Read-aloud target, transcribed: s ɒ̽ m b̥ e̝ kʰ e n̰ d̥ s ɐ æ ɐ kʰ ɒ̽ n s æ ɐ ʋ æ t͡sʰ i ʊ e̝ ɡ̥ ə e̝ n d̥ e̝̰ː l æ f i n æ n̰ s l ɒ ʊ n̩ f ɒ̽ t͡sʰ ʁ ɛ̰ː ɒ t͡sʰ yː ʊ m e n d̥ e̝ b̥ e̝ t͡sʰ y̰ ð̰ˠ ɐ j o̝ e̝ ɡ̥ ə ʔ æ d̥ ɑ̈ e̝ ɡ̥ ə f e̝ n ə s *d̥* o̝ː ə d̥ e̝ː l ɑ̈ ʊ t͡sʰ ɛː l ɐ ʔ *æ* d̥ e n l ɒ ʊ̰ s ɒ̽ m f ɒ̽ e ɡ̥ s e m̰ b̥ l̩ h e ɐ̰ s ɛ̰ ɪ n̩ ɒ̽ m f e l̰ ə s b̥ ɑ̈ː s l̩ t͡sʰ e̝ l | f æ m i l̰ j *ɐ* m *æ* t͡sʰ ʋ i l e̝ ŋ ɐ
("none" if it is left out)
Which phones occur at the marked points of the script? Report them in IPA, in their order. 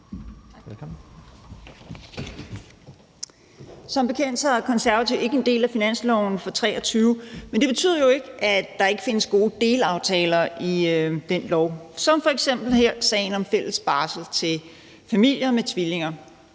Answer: ɡ̥, i, ɐ, e

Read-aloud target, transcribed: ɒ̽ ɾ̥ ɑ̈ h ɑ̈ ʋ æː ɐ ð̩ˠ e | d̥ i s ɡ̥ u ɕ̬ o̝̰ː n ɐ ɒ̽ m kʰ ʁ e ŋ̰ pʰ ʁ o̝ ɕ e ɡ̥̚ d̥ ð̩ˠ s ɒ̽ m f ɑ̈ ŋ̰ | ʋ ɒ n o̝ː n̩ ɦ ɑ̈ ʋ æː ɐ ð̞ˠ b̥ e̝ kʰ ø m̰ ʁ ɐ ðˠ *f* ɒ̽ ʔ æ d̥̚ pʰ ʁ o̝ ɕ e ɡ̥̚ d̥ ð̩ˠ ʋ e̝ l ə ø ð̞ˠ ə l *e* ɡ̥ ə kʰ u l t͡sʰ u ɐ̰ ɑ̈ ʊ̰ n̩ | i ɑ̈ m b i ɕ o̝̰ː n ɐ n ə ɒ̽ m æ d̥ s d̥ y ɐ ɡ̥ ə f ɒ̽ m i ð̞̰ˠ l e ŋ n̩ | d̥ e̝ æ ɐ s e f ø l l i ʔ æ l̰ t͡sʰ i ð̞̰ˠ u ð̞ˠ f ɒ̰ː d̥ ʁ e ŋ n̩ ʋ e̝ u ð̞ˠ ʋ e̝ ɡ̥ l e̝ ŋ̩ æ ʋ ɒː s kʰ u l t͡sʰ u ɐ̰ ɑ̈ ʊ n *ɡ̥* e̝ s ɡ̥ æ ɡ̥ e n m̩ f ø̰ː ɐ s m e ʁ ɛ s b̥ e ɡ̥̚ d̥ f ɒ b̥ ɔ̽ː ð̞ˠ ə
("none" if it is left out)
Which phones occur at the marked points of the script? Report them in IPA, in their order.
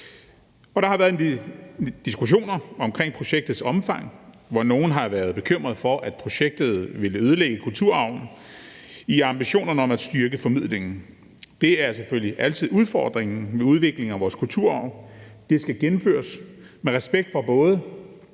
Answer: f, e, d̥

